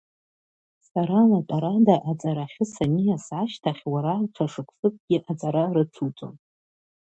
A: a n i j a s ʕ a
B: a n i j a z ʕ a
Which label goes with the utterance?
A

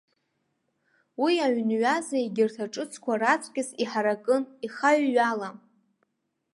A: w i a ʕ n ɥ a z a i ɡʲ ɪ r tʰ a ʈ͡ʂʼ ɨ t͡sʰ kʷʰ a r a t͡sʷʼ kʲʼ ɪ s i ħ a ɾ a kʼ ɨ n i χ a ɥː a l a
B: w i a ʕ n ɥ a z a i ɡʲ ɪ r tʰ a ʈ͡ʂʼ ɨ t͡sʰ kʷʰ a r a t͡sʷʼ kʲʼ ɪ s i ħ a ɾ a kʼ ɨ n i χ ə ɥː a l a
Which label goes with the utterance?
A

